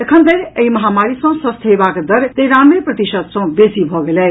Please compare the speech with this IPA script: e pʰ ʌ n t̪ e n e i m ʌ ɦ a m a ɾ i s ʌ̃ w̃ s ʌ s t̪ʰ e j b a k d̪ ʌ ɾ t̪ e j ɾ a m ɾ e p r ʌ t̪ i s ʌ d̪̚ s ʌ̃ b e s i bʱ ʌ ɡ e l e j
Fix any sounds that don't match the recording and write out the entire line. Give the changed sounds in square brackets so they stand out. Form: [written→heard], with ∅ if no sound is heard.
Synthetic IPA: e [pʰ→kʰ] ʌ n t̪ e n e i m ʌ ɦ a m a ɾ i s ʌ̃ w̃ s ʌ s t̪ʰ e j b a k d̪ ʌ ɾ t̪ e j ɾ a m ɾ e p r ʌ t̪ i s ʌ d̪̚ s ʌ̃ b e s i bʱ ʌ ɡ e l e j